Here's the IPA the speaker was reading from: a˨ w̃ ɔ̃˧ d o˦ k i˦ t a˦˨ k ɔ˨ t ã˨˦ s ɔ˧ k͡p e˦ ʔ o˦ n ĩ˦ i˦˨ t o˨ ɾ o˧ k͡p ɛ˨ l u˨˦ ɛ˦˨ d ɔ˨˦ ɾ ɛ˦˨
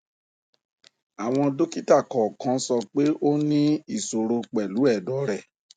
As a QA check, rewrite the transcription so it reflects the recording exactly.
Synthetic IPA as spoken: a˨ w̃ ɔ̃˧ d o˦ k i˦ t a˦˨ k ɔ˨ k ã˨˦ s ɔ˧ k͡p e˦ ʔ o˦ n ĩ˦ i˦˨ s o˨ ɾ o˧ k͡p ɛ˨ l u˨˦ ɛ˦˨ d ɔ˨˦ ɾ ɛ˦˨